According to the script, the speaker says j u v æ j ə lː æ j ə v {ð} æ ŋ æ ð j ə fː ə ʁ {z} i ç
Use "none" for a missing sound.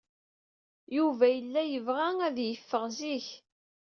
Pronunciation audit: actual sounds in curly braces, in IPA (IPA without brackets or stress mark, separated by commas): ʁ, z